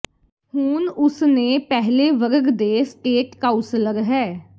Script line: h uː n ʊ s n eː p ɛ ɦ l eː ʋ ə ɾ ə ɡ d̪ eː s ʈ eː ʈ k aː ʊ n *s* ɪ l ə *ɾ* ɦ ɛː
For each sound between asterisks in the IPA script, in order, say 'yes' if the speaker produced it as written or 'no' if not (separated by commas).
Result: yes, yes